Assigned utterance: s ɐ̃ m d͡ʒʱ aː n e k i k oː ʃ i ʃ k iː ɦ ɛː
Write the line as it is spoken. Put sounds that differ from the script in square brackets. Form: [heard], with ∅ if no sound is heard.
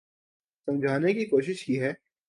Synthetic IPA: s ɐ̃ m d͡ʒʱ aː n e k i k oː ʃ [ɪ] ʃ k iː ɦ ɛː